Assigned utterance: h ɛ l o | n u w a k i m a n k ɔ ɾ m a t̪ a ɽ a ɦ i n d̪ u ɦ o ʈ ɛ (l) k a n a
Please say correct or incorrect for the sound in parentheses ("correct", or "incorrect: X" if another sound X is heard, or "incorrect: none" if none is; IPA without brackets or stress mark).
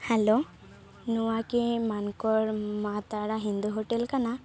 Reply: correct